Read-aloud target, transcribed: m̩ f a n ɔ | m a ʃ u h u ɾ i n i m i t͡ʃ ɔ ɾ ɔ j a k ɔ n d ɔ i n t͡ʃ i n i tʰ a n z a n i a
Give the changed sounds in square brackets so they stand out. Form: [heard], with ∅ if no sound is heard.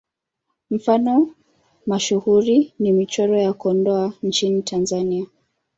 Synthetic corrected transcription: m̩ f a n ɔ | m a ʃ u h u ɾ i n i m i t͡ʃ ɔ ɾ ɔ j a k ɔ n d ɔ [a] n t͡ʃ i n i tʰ a n z a n i a